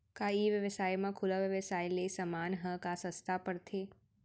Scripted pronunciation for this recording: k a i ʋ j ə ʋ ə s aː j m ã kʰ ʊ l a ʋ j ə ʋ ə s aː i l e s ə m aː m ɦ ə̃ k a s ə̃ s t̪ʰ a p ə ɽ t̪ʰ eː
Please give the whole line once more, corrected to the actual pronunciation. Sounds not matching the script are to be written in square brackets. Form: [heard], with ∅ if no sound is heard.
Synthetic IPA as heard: k a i ʋ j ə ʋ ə s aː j m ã kʰ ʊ l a ʋ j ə ʋ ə s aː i l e s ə m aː [n] ɦ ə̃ k a s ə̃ s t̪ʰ a p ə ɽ t̪ʰ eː